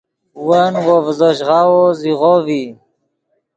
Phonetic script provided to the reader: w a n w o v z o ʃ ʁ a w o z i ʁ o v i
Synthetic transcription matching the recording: w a n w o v z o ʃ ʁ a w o z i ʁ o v i